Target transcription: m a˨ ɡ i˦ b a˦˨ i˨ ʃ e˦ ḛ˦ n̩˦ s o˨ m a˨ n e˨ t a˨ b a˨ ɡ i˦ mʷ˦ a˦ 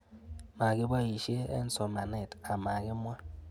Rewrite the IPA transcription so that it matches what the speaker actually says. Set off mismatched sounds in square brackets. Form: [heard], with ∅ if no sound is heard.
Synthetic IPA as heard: m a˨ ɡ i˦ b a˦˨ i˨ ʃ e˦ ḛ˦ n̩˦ s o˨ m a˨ n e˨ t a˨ [m] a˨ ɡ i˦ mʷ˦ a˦